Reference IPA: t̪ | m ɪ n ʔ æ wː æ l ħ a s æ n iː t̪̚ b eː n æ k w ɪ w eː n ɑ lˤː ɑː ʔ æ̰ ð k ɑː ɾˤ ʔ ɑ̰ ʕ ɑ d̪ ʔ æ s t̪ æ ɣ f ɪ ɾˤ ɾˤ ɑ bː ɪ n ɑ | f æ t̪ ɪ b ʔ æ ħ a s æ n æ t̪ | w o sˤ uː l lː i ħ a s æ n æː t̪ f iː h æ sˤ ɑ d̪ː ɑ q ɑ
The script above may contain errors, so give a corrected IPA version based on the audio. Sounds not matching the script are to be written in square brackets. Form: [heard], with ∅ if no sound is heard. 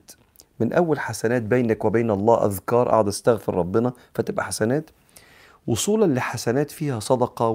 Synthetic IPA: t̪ | m ɪ n ʔ æ wː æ l ħ a s æ n [æː] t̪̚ b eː n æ k w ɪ [b] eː n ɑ lˤː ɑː ʔ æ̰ ð k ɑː ɾˤ ʔ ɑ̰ ʕ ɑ d̪ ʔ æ s t̪ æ ɣ f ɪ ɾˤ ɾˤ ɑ bː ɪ n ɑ | f æ t̪ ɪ b ʔ æ ħ a s æ n [æː] t̪ | w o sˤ uː l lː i ħ a s æ n æː t̪ f iː h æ sˤ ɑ [d̪] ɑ q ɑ